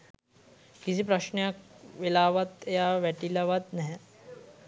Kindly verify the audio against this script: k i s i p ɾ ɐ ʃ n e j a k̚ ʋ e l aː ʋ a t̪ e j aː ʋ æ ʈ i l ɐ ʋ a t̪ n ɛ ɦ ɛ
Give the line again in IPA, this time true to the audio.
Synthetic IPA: k i s i p ɾ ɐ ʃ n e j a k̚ ʋ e l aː ʋ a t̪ e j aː ʋ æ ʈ i l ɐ ʋ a t̪ n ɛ ɦ ɛ